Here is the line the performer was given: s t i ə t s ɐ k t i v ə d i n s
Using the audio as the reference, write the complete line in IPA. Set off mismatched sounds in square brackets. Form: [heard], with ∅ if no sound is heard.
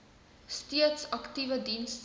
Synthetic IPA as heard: s t i ə t s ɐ k t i v ə d i n s